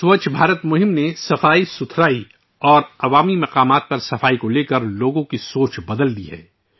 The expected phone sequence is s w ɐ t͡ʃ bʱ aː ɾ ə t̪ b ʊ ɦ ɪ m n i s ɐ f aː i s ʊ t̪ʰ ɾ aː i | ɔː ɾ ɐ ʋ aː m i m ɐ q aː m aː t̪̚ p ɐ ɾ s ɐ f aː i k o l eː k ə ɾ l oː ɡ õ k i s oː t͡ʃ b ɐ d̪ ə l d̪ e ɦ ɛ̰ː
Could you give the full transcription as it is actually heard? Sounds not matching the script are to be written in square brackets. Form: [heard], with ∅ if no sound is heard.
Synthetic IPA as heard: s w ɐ t͡ʃ bʱ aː ɾ ə t̪ [m] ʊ ɦ ɪ m n [e] s ɐ f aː i s ʊ t̪ʰ ɾ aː i | ɔː ɾ ɐ ʋ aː m i m ɐ q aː m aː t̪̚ p ɐ ɾ s ɐ f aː i k o l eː k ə ɾ l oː ɡ õ k i s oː t͡ʃ b ɐ d̪ ə l d̪ [i] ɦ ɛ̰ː